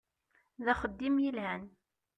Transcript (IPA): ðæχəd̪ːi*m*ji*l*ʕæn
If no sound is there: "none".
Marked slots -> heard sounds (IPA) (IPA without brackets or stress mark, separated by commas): m, l